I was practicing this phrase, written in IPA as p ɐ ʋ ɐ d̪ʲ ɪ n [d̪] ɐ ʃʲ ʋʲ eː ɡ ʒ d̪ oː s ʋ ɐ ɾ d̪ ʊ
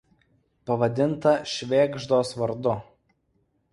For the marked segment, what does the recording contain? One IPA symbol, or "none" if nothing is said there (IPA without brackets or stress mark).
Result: t̪